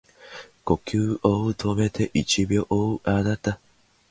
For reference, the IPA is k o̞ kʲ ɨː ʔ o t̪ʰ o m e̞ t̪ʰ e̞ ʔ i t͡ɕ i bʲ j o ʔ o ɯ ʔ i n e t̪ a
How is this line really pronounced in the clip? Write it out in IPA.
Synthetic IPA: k o̞ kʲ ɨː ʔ o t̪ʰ o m e̞ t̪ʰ e̞ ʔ i t͡ɕ i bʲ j o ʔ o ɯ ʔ a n a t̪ a